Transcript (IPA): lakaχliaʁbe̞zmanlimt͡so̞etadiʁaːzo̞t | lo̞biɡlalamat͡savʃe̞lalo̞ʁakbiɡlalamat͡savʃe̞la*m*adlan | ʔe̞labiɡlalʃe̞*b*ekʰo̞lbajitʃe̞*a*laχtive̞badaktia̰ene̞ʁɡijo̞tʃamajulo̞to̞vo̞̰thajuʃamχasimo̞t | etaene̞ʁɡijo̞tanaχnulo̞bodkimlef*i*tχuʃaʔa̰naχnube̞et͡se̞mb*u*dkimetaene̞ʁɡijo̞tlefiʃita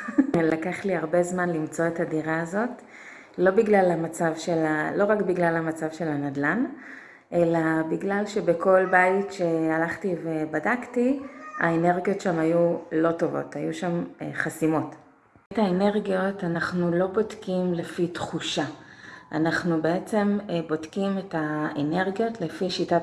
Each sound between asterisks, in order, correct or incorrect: incorrect: n, correct, correct, correct, incorrect: o

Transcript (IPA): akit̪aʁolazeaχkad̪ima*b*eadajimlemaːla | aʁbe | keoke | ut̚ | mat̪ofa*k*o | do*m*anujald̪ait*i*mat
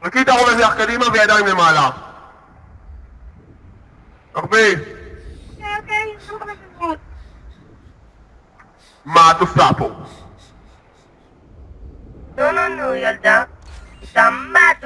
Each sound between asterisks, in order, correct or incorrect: incorrect: v, incorrect: p, incorrect: n, incorrect: a

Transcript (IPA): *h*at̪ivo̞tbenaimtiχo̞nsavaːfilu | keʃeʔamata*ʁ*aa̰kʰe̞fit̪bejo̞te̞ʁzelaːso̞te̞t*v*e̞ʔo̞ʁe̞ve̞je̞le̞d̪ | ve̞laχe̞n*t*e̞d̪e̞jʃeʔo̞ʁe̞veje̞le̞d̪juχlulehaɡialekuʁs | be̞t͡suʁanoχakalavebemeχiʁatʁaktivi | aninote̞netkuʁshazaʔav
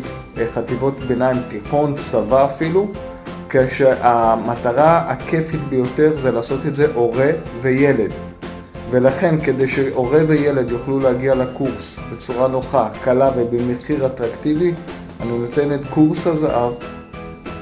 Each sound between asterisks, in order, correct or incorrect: incorrect: χ, correct, incorrect: z, incorrect: k

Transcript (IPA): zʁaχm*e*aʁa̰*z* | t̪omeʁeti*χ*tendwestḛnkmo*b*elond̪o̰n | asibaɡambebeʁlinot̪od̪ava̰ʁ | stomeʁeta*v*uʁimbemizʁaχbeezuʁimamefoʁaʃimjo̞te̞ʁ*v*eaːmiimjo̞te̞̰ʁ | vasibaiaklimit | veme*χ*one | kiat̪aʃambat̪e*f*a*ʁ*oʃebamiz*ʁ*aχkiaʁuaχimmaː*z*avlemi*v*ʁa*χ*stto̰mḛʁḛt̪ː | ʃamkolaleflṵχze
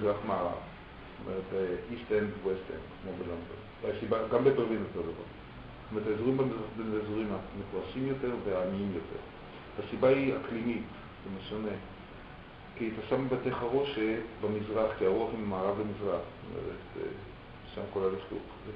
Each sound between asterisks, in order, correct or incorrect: incorrect: a, incorrect: v, incorrect: s, correct, incorrect: z, correct, incorrect: ʃ, incorrect: χ, correct, correct, incorrect: ʁ, incorrect: z, correct

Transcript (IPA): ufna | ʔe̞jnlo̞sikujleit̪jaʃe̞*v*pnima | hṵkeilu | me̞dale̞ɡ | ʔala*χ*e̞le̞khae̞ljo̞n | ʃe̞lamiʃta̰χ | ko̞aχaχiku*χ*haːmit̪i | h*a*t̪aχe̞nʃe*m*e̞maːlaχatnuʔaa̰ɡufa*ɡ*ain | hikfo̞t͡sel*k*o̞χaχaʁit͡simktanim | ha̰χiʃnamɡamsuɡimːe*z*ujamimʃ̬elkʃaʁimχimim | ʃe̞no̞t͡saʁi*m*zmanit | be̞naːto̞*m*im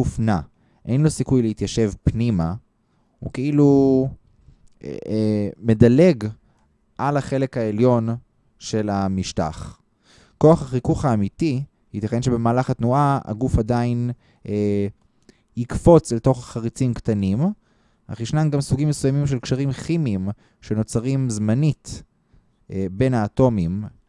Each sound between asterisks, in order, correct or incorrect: correct, correct, correct, incorrect: i, incorrect: b, incorrect: d, incorrect: t, incorrect: s, correct, correct

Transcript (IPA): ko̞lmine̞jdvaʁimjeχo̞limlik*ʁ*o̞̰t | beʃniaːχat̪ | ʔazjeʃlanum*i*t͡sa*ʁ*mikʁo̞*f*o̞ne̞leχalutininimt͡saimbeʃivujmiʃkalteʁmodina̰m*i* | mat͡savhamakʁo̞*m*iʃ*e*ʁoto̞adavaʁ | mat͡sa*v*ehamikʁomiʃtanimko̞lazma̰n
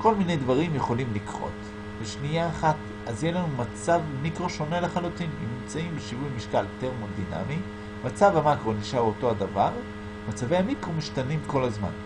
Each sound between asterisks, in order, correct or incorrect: correct, incorrect: a, incorrect: v, incorrect: ʃ, correct, incorrect: n, incorrect: a, correct

